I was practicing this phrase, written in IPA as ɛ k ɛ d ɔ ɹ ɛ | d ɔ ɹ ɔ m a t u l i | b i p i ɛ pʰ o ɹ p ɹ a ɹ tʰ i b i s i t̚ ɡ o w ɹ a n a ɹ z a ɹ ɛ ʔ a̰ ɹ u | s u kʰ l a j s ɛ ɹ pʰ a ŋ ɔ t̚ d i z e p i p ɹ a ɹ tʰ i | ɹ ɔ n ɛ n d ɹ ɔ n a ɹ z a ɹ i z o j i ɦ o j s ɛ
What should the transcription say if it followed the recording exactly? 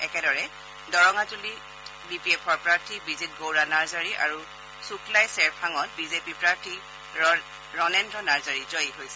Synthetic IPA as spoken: ɛ k ɛ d ɔ ɹ ɛ | d ɔ ɹ ɔ ŋ a t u l i | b i p i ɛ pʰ ɔ ɹ p ɹ a ɹ tʰ i b i z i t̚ ɡ o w ɹ a n a ɹ z a ɹ i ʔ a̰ ɹ u | s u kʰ l a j s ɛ ɹ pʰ a ŋ ɔ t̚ b i z e p i p ɹ a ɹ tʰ i | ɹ ɔ n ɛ n d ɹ ɔ n a ɹ z a ɹ i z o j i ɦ o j s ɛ